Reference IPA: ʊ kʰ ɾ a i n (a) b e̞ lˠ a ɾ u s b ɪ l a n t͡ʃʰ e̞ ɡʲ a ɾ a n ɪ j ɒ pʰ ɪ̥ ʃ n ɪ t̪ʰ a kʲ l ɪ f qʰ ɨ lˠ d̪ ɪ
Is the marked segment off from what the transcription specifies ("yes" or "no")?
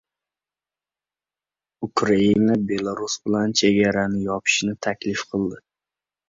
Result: no